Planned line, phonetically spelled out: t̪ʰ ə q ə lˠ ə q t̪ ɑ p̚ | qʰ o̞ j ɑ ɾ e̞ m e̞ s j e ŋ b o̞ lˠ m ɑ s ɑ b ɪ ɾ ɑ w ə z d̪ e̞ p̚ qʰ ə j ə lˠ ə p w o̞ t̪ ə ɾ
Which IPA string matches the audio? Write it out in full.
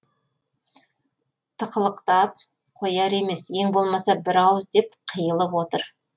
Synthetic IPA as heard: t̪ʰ ə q ə lˠ ə q t̪ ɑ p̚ | qʰ o̞ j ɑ ɾ e̞ m e̞ s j e ŋ b o̞ lˠ m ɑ s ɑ b ɪ ɾ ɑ w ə z d̪ e̞ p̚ qʰ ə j ə lˠ ə p w o̞ t̪ ə ɾ